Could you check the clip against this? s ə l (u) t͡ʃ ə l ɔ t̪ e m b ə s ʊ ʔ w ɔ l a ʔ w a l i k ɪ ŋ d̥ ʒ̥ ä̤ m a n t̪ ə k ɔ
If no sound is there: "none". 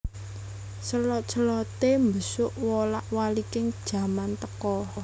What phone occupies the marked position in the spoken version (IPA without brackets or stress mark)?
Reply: ɔ